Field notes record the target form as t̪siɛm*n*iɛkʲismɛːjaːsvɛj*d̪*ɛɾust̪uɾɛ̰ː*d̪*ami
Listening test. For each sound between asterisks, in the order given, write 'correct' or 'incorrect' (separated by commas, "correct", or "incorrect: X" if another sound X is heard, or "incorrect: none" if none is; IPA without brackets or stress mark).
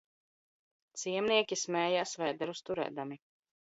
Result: correct, correct, correct